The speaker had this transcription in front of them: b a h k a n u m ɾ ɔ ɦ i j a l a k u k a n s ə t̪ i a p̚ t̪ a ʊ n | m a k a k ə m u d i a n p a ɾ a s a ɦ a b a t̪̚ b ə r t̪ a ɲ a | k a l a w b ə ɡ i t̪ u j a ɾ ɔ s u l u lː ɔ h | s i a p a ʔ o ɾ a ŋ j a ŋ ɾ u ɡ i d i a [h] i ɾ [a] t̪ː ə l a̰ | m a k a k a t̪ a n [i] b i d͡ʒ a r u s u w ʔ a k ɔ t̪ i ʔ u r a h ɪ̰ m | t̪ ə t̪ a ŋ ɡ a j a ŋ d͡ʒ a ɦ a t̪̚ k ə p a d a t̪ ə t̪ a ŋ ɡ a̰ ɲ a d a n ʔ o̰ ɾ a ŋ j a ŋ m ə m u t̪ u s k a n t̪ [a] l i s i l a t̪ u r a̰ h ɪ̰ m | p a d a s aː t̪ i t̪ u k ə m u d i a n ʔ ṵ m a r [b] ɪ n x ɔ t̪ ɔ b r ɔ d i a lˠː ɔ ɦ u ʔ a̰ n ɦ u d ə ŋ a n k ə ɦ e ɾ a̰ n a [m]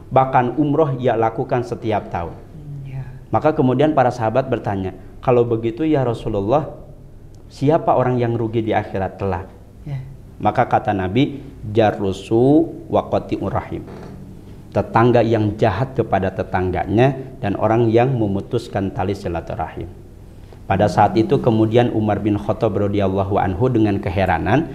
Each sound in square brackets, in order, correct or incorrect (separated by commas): incorrect, correct, incorrect, correct, correct, incorrect